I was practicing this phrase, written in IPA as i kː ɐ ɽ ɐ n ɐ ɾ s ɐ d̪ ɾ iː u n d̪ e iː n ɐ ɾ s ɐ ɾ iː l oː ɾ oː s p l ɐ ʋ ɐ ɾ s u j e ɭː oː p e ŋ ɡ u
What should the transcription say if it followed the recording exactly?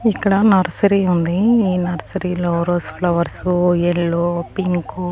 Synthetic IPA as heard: i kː ɐ ɽ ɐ n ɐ ɾ s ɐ ɾ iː u n d̪ i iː n ɐ ɾ s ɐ ɾ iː l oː ɾ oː s p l ɐ ʋ ɐ ɾ s u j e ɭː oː p i ŋ k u

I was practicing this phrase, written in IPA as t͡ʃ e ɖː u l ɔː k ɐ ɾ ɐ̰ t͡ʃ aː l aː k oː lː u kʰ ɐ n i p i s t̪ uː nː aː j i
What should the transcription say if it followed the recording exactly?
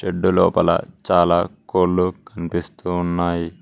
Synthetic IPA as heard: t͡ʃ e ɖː u l ɔː p ɐ l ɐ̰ t͡ʃ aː l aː k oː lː u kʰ ɐ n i p i s t̪ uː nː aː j i

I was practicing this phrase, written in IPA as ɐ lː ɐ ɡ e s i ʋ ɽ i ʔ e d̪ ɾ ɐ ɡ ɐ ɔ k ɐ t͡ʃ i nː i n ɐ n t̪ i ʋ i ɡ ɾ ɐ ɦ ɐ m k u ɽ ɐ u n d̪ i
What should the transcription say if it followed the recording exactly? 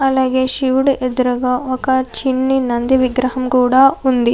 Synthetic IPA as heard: ɐ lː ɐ ɡ e ʃ i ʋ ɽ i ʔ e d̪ ɾ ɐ ɡ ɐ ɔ k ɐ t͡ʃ i nː i n ɐ n d̪ i ʋ i ɡ ɾ ɐ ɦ ɐ m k uː ɽ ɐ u n d̪ i

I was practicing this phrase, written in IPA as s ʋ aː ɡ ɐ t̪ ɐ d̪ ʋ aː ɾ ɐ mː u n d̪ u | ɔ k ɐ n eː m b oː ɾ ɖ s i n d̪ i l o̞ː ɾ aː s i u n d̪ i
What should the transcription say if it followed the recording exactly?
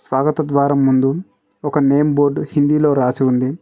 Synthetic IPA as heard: s ʋ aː ɡ ɐ t̪ ɐ d̪ ʋ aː ɾ ɐ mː u n d̪ u | ɔ k ɐ n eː m b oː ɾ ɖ h i n d̪ i l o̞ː ɾ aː s i u n d̪ i

